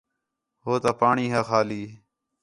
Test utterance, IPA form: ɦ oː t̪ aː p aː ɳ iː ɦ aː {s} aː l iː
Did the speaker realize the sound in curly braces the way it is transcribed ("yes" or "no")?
no